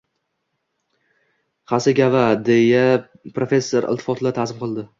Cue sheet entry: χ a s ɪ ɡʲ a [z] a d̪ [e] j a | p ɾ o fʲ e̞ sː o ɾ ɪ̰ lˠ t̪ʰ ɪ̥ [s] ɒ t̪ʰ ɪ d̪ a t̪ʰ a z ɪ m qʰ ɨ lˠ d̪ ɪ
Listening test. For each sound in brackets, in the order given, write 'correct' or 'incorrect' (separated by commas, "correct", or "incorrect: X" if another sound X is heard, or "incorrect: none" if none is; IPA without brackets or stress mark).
incorrect: v, correct, incorrect: f